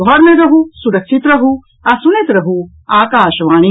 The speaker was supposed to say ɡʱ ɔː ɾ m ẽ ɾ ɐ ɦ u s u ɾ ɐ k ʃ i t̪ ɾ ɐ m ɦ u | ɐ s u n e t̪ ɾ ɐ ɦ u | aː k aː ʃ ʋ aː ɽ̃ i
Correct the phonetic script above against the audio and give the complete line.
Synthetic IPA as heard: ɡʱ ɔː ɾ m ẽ ɾ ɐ ɦ u s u ɾ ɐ k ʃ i t̪ ɾ ɐ ɦ u | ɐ s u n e t̪ ɾ ɐ ɦ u | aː k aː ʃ ʋ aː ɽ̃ i